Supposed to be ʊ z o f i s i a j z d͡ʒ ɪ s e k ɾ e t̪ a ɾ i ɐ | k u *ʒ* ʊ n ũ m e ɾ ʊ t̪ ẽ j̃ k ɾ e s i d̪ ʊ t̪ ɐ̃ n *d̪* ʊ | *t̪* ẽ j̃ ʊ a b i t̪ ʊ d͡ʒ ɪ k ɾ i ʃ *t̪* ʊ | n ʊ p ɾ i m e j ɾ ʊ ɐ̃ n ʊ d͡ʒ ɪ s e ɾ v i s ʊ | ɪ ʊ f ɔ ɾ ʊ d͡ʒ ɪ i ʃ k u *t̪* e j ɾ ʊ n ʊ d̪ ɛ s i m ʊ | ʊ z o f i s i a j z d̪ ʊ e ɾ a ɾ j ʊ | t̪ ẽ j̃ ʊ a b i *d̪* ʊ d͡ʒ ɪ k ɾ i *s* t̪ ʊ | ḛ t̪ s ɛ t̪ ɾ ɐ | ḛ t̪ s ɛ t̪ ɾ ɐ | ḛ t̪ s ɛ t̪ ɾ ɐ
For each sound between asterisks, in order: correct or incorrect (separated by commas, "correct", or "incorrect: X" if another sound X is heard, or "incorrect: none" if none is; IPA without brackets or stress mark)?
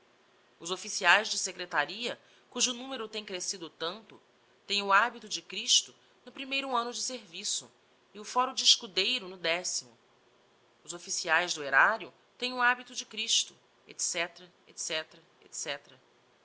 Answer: correct, incorrect: t̪, correct, correct, incorrect: d̪, incorrect: t̪, incorrect: ʃ